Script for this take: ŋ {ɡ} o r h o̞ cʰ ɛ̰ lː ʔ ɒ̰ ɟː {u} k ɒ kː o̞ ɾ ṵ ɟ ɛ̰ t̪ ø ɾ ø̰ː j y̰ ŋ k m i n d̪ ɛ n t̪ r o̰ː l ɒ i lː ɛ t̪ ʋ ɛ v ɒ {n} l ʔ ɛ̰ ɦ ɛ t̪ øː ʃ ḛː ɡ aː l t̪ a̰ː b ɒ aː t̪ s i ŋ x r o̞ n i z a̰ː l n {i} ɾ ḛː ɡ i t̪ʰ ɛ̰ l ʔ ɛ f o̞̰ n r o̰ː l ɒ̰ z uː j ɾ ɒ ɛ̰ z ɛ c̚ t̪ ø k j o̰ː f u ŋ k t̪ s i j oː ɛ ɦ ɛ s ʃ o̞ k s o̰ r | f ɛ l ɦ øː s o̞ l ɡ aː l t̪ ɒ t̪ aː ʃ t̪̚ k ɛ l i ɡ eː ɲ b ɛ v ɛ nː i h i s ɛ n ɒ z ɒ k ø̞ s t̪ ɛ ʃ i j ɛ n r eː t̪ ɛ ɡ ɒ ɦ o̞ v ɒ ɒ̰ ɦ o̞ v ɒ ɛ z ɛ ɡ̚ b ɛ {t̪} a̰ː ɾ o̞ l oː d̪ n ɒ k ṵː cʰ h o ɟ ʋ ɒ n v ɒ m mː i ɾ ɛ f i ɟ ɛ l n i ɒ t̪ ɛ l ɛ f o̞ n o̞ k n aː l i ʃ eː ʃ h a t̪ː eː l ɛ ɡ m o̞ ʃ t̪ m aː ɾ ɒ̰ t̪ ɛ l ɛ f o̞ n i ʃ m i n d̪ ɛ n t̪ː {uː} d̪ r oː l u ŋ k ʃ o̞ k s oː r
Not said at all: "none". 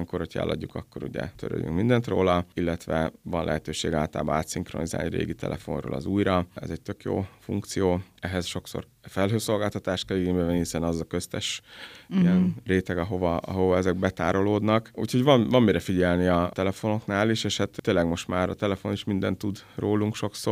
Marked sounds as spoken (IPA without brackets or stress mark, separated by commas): k, u, n, i, t̪, u